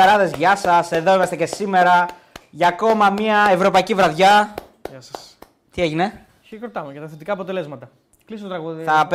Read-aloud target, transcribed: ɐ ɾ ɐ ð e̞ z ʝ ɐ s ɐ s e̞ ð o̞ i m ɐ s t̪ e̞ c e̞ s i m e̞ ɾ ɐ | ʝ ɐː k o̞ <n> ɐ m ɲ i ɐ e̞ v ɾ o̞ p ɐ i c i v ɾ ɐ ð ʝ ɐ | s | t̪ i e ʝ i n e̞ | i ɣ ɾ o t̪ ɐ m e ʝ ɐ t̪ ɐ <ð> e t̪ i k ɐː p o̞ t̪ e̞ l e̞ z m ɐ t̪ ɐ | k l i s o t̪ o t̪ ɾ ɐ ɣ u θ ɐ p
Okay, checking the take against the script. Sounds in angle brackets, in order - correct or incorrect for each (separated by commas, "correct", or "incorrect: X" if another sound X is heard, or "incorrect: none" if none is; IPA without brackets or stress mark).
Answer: incorrect: m, incorrect: θ